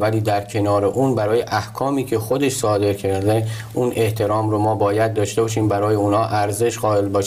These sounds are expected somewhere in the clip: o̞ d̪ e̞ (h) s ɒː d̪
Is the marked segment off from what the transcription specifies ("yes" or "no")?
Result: yes